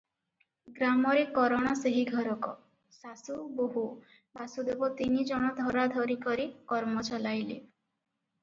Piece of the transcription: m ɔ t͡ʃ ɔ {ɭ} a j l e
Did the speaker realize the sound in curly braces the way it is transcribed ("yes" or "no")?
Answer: no